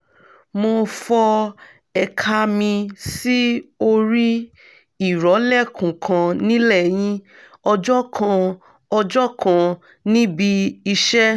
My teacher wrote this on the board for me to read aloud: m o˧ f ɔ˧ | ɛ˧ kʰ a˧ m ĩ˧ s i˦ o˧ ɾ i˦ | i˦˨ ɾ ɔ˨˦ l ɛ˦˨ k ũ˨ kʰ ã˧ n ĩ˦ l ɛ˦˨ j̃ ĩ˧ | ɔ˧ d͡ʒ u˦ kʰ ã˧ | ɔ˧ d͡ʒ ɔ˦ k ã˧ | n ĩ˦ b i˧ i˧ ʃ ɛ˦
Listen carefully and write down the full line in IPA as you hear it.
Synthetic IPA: m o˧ f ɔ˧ | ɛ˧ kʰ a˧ m ĩ˧ s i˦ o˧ ɾ i˦ | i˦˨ ɾ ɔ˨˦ l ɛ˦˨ k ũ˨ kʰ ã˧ n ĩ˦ l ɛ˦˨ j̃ ĩ˧ | ɔ˧ d͡ʒ ɔ˦ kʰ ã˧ | ɔ˧ d͡ʒ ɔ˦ k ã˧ | n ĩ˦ b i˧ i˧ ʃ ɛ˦